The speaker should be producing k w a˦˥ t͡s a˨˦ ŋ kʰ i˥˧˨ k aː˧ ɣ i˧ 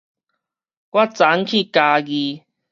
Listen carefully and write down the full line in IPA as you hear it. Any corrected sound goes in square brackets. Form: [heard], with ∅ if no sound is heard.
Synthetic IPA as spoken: k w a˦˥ t͡s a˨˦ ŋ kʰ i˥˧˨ k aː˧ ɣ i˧